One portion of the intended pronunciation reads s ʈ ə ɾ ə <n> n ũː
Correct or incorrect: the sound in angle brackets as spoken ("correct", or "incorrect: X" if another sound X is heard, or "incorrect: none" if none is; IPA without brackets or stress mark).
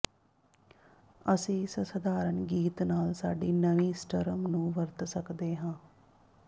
incorrect: m